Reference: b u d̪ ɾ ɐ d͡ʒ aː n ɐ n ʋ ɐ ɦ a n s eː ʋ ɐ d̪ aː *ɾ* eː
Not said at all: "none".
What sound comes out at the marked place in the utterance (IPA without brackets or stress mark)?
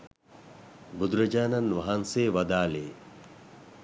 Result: l